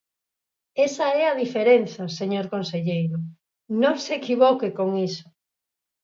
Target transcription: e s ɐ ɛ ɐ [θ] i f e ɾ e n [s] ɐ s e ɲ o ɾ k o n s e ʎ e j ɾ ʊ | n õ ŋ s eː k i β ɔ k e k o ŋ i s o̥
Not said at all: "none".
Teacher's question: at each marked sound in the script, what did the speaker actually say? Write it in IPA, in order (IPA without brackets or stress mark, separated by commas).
ð, θ